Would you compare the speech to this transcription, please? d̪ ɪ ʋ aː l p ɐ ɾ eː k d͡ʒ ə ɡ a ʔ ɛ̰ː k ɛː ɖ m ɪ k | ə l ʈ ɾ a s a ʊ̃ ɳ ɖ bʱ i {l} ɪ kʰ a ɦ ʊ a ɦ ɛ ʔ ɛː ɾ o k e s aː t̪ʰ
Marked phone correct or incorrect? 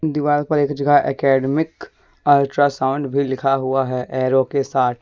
correct